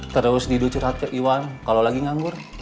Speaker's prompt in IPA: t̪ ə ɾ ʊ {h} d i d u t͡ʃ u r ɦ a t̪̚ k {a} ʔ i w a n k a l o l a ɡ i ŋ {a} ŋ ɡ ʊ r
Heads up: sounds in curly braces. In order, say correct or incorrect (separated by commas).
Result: incorrect, incorrect, correct